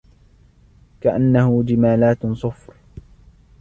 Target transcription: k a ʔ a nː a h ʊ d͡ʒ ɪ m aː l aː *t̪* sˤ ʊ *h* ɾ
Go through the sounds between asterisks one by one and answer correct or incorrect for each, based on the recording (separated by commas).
correct, incorrect